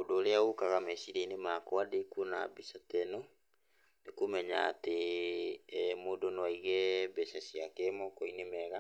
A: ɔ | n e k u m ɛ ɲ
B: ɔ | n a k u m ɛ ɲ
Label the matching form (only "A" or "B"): A